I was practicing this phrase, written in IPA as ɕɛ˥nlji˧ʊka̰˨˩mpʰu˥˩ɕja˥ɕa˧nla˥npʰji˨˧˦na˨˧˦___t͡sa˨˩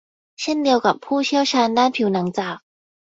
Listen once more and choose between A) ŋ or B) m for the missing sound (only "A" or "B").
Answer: A